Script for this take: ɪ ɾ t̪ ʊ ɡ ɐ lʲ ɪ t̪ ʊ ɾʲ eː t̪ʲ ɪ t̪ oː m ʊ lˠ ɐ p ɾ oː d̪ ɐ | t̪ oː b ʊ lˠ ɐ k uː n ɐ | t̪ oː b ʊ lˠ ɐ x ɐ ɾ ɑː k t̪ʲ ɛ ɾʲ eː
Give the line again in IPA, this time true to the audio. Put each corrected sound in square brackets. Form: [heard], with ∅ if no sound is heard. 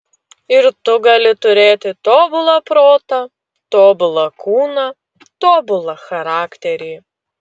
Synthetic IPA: ɪ ɾ t̪ ʊ ɡ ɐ lʲ ɪ t̪ ʊ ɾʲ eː t̪ʲ ɪ t̪ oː [b] ʊ lˠ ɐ p ɾ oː [t̪] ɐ | t̪ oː b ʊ lˠ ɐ k uː n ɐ | t̪ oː b ʊ lˠ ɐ x ɐ ɾ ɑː k t̪ʲ ɛ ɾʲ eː